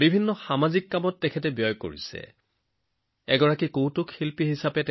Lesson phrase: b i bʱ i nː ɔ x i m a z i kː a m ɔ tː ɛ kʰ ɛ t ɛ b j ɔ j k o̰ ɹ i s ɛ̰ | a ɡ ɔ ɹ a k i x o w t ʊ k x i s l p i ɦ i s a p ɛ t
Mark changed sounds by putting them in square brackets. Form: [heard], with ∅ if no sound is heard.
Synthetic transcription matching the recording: b i bʱ i nː ɔ x [a] m a z i kː a m ɔ tː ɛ kʰ ɛ t ɛ b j ɔ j k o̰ ɹ i s ɛ̰ | [ɛ] ɡ ɔ ɹ a k i [k] o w t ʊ k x i [∅] l p i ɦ i s a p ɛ t